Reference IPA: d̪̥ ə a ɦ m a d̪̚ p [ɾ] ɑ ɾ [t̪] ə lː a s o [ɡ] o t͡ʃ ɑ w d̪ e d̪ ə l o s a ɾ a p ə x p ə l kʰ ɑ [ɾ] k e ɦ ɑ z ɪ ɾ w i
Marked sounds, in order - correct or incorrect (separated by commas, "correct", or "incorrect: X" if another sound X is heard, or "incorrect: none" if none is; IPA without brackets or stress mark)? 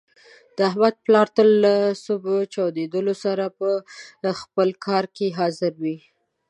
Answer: incorrect: l, correct, incorrect: b, correct